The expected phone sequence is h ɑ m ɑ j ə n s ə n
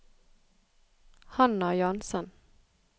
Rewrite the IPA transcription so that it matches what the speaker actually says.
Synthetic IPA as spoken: h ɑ n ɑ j ɑ n s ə n